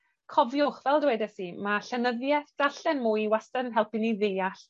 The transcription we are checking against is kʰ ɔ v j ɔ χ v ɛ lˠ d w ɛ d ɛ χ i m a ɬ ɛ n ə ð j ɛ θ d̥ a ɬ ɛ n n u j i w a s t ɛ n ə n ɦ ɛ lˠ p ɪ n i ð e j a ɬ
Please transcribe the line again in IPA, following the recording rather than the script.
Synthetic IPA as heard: kʰ ɔ v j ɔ χ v ɛ lˠ d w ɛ d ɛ s i m a ɬ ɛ n ə ð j ɛ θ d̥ a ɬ ɛ n m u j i w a s t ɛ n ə n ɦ ɛ lˠ p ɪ n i ð e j a ɬ